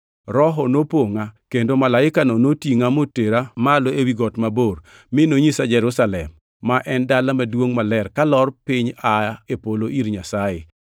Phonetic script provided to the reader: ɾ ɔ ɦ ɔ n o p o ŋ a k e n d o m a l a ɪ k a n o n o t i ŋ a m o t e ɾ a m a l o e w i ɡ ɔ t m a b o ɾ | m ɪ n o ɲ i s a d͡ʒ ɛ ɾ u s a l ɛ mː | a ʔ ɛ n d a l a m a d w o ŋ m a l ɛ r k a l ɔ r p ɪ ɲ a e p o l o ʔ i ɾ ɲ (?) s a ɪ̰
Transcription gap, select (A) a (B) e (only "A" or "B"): A